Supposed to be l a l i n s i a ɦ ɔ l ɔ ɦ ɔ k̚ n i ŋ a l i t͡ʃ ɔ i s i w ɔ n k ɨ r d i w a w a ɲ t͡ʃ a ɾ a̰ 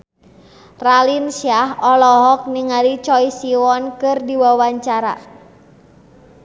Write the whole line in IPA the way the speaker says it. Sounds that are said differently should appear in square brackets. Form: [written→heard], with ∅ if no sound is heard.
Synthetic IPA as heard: [l→r] a l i n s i a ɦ ɔ l ɔ ɦ ɔ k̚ n i ŋ a l i t͡ʃ ɔ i s i w ɔ n k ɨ r d i w a w a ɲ t͡ʃ a ɾ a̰